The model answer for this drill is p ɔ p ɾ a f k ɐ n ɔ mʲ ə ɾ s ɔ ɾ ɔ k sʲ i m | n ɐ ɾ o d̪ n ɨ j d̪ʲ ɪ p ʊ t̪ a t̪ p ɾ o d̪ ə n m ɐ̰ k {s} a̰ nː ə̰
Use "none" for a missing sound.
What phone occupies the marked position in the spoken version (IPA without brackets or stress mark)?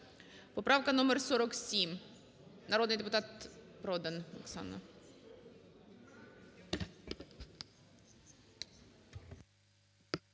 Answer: s